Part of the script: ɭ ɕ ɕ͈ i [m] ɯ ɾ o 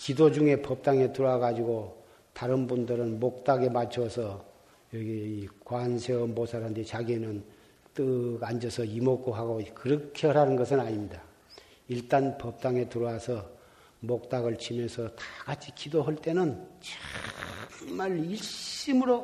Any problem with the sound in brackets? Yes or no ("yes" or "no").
no